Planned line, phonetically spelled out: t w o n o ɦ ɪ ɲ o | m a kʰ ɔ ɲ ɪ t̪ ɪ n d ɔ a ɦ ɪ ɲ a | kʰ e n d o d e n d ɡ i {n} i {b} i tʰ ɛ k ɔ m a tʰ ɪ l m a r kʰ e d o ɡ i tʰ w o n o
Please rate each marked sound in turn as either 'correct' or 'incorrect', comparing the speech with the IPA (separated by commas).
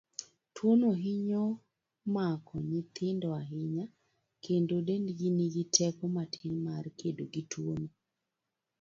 correct, incorrect